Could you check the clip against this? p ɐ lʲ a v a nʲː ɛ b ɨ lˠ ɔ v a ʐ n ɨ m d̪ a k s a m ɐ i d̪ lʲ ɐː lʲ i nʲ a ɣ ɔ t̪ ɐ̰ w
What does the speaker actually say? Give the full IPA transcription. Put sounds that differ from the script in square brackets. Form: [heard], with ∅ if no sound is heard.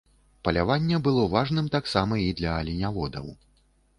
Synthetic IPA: p ɐ lʲ a v a nʲː ɛ b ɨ lˠ ɔ v a ʐ n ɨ m [t̪] a k s a m ɐ i d̪ lʲ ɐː lʲ i nʲ a [v] ɔ [d̪] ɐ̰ w